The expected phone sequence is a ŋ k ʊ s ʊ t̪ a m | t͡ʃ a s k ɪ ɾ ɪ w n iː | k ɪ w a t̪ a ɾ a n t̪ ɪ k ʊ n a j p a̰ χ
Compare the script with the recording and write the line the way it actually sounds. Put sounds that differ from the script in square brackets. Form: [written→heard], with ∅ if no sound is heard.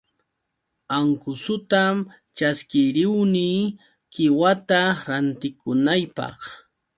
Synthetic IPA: a ŋ k ʊ s ʊ t̪ a m | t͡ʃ a s k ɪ ɾ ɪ w n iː | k ɪ w a t̪ a ɾ a n t̪ ɪ k ʊ n a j p [a̰→ɑ̰] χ

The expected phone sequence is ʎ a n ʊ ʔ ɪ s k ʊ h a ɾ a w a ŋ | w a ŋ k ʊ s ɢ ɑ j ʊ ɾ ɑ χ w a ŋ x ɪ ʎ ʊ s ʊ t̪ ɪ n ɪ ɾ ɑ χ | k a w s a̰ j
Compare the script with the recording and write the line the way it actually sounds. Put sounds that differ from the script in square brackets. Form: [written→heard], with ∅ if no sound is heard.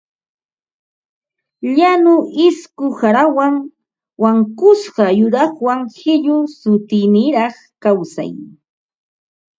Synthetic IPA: ʎ a n ʊ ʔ ɪ s k ʊ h a ɾ a w a ŋ | w a ŋ k ʊ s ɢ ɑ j ʊ ɾ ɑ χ w a ŋ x ɪ ʎ ʊ s ʊ t̪ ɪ n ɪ ɾ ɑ χ | k a w s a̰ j

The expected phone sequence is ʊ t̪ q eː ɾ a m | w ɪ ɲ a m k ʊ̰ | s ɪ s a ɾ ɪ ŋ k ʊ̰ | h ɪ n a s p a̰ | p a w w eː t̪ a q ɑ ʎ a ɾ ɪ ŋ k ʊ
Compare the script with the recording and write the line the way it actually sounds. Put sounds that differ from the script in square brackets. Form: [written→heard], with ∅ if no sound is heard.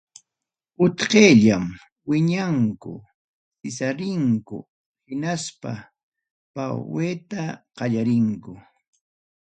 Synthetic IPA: ʊ t̪ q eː [ɾ→ʎ] a m | w ɪ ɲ a [m→ŋ] k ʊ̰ | s ɪ s a ɾ ɪ ŋ k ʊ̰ | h ɪ n a s p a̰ | p a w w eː t̪ a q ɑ ʎ a ɾ ɪ ŋ k ʊ

